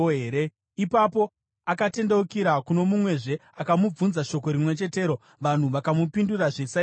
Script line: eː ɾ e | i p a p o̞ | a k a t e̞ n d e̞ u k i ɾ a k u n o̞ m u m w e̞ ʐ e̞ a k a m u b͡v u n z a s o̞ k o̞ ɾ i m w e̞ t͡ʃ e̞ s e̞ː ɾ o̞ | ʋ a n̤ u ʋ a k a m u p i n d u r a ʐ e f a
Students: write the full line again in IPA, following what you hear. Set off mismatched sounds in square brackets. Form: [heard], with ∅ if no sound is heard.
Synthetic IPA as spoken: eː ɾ e | i p a p o̞ | a k a t e̞ n d e̞ u k i ɾ a k u n o̞ m u m w e̞ ʐ e̞ a k a m u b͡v u n z a [ʃ] o̞ k o̞ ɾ i m w e̞ t͡ʃ e̞ [t] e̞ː ɾ o̞ | ʋ a n̤ u ʋ a k a m u p i n d u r a ʐ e [s] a

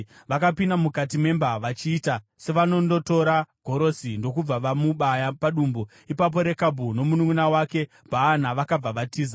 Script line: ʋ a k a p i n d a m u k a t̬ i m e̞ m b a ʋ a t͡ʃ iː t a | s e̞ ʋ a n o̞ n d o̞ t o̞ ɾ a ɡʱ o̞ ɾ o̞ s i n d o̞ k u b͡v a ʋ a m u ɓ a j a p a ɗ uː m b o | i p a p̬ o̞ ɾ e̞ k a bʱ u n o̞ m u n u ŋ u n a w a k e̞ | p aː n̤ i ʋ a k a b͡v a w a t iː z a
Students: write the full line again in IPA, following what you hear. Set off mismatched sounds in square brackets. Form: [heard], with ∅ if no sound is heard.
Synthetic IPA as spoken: ʋ a k a p i n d a m u k a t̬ i m e̞ m b a ʋ a t͡ʃ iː t a | s e̞ ʋ a n o̞ n d o̞ t o̞ ɾ a ɡʱ o̞ ɾ o̞ s i n d o̞ k u b͡v a ʋ a m u ɓ a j a p a ɗ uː m b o | i p a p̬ o̞ ɾ e̞ k a bʱ u n o̞ m u n u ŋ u n a w a k e̞ | p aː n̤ [a] ʋ a k a b͡v a [ʋ] a t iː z a

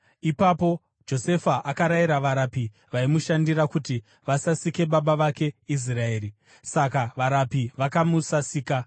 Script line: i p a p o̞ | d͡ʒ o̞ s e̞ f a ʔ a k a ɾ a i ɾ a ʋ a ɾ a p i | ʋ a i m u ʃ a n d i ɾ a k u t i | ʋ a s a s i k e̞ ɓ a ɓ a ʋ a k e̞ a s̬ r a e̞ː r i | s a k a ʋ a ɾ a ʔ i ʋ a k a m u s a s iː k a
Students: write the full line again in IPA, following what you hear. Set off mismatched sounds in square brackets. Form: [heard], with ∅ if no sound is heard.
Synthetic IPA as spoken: i p a p o̞ | d͡ʒ o̞ s e̞ f a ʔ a k a ɾ a i ɾ a ʋ a ɾ a p i | ʋ a i m u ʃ a n d i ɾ a k u t i | ʋ a s a s i k e̞ ɓ a ɓ a ʋ a k e̞ [i] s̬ r a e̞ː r i | s a k a ʋ a ɾ a [p] i ʋ a k a m u s a s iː k a

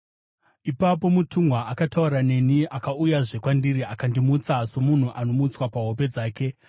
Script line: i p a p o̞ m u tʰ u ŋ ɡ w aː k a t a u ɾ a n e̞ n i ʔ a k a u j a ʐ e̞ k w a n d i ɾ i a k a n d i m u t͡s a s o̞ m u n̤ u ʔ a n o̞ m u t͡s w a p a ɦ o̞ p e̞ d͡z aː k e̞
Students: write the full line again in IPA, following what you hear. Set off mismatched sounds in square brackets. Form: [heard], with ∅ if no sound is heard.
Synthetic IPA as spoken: i p a p o̞ m u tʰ u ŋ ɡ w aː k a t a u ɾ a n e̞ n i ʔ a k a u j a ʐ e̞ k w a n d i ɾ i a k a n d i m u t͡s a s o̞ m u n̤ u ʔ a n o̞ m u t͡s w a p a ɦ o̞ p e̞ d͡z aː k e̞

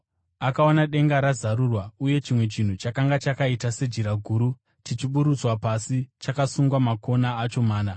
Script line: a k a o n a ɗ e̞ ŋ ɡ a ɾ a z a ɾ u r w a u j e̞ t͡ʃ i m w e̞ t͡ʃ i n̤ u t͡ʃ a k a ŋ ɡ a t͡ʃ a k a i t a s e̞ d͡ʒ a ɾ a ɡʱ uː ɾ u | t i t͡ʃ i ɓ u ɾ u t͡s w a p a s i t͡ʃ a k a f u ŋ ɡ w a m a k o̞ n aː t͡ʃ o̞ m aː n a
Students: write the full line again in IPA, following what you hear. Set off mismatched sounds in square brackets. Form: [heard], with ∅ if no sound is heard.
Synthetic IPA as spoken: a k a o n a ɗ e̞ ŋ ɡ a ɾ a z a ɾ u r w a u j e̞ t͡ʃ i m w e̞ t͡ʃ i n̤ u t͡ʃ a k a ŋ ɡ a t͡ʃ a k a i t a s e̞ d͡ʒ [i] ɾ a ɡʱ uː ɾ u | t i t͡ʃ i ɓ u ɾ u t͡s w a p a s i t͡ʃ a k a [s] u ŋ ɡ w a m a k o̞ n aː t͡ʃ o̞ m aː n a

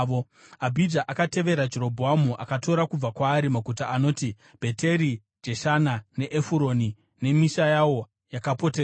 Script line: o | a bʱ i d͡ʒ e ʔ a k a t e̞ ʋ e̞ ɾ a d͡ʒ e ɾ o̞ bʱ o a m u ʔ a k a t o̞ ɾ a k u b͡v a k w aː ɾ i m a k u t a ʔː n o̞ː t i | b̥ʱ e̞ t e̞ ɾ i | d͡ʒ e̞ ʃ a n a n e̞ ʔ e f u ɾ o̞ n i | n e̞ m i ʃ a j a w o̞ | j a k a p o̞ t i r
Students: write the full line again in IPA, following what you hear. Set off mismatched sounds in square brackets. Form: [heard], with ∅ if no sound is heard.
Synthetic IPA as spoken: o | a bʱ i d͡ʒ [a] ʔ a k a t e̞ ʋ e̞ ɾ a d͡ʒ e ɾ o̞ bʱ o a m u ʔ a k a t o̞ ɾ a k u b͡v a k w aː ɾ i m a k u t a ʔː n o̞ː t i | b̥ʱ e̞ t e̞ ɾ i | d͡ʒ e̞ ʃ a n a n e̞ ʔ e f u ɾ o̞ n i | n e̞ m i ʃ a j a w o̞ | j a k a p o̞ t [e] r

